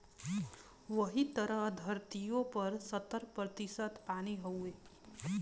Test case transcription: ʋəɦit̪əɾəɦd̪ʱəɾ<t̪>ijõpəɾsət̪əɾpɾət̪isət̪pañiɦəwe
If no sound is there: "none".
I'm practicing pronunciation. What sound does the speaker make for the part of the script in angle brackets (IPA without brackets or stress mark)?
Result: t̪